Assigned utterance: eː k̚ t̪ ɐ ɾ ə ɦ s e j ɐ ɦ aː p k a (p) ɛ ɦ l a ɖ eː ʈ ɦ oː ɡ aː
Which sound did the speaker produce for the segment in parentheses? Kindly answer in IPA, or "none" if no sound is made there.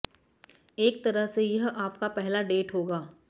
p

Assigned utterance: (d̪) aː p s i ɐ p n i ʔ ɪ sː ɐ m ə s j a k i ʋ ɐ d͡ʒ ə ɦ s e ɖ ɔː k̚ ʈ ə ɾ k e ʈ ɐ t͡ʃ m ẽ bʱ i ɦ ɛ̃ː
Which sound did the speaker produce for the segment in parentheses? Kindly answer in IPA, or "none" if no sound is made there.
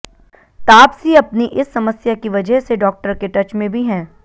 t̪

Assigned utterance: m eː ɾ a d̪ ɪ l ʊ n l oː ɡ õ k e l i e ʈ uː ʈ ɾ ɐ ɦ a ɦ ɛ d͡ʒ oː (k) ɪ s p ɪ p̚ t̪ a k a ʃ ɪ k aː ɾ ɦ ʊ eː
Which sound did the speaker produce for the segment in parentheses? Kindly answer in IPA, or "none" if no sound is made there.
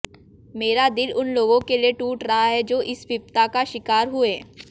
ʔ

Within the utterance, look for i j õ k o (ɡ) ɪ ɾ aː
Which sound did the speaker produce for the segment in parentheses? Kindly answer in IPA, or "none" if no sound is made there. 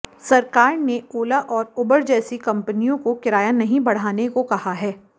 k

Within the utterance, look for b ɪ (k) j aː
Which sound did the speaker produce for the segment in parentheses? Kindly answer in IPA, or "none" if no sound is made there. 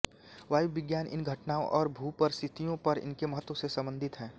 ɡ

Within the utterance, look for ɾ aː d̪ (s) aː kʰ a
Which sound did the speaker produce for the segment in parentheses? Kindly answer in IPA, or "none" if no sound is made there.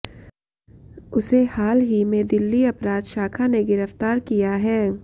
ʃ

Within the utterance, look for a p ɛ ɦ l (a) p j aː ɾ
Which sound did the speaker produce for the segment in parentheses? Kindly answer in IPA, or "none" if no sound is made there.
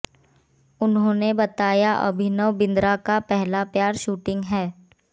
a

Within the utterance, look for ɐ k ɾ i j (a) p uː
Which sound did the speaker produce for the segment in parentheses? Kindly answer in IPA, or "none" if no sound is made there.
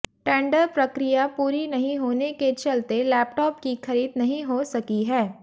a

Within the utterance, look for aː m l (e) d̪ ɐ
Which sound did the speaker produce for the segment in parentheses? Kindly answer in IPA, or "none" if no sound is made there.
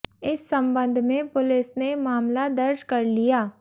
a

